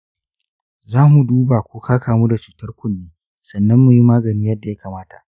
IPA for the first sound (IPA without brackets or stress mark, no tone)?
z